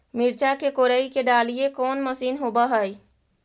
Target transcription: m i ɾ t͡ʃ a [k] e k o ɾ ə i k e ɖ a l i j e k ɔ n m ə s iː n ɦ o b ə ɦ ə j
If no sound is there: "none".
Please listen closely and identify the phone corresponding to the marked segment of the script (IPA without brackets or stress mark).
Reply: k